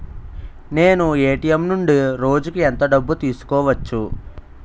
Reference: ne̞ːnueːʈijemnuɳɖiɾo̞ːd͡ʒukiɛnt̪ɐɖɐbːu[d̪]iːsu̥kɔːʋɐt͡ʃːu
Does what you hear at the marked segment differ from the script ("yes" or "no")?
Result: yes